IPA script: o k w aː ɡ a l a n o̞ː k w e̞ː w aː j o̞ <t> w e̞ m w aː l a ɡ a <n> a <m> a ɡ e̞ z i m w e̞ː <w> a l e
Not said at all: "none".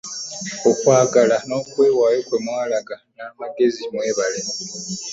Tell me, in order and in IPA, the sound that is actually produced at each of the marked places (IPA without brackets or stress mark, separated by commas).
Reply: k, n, m, β